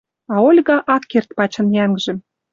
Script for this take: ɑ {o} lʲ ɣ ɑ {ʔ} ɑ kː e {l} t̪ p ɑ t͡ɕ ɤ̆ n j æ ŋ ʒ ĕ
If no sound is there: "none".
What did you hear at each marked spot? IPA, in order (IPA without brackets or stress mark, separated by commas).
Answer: o, ʔ, r